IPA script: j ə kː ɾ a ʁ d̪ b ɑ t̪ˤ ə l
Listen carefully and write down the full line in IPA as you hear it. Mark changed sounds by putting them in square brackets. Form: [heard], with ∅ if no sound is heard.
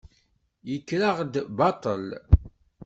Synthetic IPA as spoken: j ə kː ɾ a ʁ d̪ b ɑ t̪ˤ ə l